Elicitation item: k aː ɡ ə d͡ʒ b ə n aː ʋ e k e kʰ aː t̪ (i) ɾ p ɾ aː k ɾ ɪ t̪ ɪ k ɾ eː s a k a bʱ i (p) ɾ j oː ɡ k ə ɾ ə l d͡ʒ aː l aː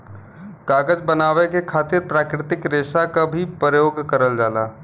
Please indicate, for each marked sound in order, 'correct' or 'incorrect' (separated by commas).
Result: incorrect, correct